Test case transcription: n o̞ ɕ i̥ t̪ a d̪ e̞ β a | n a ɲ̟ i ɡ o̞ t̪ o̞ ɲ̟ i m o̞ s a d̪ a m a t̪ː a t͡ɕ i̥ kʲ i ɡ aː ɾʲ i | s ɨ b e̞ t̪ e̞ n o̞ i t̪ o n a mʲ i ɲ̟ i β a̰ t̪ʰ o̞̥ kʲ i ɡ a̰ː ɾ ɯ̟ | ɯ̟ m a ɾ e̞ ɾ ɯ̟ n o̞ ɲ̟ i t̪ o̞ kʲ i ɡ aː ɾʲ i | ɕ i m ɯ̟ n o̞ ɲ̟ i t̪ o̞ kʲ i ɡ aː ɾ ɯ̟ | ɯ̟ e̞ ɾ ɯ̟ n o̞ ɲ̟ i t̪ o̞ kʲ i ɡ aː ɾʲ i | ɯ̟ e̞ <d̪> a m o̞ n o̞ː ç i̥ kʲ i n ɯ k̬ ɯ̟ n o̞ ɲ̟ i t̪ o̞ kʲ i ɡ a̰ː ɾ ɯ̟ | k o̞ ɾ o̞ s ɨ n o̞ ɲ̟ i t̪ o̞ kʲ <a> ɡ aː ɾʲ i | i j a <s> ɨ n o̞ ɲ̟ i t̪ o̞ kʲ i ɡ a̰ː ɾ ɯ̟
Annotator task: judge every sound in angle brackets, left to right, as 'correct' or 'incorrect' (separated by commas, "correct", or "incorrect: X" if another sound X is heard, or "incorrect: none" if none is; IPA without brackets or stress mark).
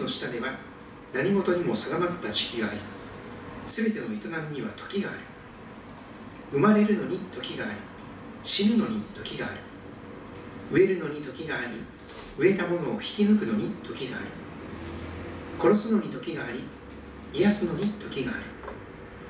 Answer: incorrect: t̪, incorrect: i, correct